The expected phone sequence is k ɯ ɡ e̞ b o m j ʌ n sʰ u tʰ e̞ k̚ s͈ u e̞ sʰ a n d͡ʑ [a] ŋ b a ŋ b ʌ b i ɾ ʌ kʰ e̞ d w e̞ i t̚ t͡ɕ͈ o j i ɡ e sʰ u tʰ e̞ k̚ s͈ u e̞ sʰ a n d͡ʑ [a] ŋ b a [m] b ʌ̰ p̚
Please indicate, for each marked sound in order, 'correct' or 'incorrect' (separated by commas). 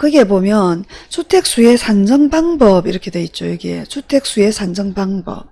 incorrect, incorrect, incorrect